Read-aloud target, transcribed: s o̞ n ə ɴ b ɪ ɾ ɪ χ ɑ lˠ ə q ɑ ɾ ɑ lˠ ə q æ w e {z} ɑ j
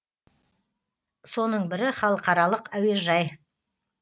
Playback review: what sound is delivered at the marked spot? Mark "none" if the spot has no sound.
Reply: ʒ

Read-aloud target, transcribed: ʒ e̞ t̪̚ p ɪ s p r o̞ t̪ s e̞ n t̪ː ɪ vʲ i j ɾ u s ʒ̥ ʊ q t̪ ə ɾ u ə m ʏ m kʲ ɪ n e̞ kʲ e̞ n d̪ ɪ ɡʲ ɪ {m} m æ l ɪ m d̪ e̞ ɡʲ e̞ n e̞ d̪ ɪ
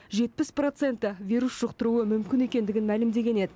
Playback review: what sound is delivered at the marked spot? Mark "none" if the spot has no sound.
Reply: n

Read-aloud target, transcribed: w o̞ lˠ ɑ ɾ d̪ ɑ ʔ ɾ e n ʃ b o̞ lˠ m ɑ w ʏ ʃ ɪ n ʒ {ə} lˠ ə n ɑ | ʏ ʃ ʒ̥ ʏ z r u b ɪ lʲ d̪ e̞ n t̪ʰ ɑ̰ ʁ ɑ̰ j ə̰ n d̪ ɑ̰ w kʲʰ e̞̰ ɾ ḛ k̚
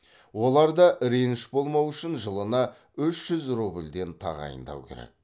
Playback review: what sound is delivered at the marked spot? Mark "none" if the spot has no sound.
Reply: ə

